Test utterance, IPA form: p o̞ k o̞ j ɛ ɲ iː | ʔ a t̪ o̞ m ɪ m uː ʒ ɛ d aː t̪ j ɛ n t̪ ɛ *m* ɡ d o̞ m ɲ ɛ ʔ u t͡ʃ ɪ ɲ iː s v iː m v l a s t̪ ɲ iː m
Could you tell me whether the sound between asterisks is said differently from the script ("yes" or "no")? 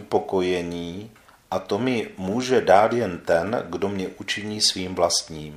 yes